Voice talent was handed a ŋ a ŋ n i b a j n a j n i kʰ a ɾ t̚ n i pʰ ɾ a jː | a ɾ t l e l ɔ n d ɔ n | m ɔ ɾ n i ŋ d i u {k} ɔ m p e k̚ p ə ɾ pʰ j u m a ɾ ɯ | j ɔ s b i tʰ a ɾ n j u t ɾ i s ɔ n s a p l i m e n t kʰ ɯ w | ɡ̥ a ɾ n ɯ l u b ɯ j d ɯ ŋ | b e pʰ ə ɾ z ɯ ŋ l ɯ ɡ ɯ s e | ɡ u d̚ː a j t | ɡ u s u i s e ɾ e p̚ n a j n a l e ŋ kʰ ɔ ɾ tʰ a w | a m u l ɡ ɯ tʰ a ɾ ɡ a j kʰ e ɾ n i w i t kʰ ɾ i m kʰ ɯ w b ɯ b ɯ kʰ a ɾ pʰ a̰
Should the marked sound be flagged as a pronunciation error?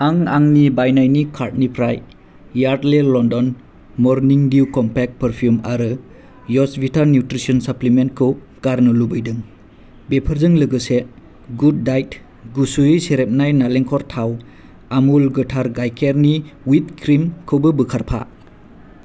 no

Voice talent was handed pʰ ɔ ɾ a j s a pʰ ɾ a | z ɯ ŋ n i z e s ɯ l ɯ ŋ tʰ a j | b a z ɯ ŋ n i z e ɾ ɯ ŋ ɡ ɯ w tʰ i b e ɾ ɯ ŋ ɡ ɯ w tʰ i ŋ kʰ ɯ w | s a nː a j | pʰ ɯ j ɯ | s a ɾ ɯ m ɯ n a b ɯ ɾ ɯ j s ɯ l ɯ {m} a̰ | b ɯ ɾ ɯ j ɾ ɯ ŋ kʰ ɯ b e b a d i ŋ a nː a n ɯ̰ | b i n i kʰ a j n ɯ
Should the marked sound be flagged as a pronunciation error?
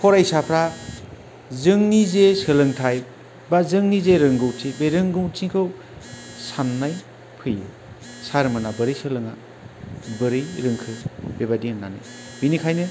yes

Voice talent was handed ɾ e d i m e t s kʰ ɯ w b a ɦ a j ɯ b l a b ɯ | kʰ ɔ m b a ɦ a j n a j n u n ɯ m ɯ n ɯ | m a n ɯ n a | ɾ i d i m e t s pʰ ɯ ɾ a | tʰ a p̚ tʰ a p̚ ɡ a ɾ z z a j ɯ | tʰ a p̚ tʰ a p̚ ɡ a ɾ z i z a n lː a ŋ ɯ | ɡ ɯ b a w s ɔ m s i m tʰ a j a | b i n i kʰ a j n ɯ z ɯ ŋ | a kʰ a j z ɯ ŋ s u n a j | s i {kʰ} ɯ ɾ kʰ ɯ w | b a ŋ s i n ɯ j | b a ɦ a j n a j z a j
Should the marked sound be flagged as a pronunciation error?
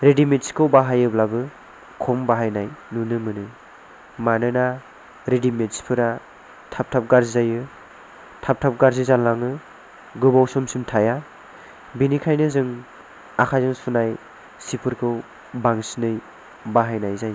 yes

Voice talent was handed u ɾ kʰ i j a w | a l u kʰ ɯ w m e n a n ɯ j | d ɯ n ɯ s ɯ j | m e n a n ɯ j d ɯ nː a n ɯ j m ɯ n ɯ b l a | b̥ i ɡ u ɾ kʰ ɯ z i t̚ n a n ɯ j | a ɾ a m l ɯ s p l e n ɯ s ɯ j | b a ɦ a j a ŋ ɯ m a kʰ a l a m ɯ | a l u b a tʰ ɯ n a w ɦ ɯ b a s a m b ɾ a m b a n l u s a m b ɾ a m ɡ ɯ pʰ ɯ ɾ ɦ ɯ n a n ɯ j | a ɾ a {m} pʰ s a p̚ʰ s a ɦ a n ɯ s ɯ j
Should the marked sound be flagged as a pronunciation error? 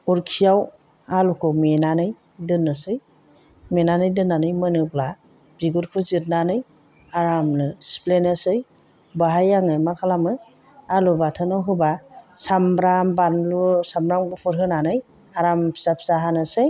no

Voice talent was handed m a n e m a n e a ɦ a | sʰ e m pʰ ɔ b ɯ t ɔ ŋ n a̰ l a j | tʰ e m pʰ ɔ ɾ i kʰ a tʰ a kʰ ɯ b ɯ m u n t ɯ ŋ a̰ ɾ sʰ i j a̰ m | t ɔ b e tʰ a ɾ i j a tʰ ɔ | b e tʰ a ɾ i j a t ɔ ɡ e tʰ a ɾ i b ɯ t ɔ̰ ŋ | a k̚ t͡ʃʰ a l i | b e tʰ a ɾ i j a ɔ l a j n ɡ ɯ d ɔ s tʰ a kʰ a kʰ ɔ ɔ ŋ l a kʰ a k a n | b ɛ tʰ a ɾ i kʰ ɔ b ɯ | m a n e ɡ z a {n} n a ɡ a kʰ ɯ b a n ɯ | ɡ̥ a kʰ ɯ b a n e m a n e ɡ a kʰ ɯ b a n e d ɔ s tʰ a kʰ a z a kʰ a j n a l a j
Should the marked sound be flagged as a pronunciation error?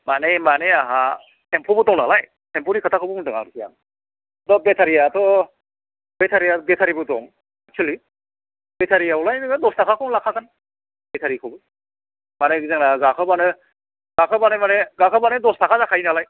yes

